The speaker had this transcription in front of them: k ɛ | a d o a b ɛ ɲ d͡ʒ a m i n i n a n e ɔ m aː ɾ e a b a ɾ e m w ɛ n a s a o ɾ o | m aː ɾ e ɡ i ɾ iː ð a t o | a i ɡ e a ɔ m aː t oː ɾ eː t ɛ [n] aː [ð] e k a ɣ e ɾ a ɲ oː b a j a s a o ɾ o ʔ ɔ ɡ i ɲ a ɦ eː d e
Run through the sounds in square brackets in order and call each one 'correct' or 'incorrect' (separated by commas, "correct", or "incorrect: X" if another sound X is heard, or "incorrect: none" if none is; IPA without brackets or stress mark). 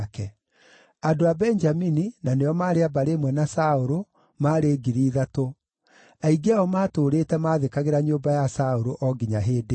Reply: incorrect: m, correct